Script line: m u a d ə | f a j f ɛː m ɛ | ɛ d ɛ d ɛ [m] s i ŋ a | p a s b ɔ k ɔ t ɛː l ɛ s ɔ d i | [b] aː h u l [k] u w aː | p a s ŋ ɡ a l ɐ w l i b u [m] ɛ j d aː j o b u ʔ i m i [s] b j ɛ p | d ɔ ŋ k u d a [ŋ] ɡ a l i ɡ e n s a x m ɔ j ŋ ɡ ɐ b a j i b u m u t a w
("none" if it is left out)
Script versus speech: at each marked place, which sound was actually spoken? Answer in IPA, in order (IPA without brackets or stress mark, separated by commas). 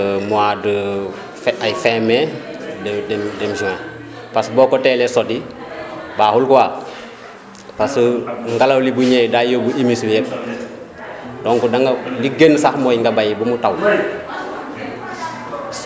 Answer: m, b, k, ɲ, s, ŋ